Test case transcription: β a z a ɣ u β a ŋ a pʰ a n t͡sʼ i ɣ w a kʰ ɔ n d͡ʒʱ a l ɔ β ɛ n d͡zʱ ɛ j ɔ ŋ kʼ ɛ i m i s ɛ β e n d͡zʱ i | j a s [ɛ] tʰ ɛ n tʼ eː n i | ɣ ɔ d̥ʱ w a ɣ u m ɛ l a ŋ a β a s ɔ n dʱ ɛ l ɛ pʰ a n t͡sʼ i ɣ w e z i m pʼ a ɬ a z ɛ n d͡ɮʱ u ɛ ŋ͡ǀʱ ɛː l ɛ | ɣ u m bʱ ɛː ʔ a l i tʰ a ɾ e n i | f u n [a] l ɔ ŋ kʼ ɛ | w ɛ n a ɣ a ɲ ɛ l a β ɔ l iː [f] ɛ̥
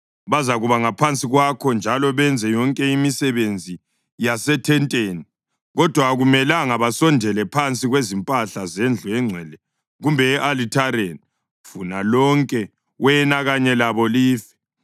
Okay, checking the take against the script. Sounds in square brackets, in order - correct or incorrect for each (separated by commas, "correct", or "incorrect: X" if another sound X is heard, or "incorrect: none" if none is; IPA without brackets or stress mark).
correct, correct, correct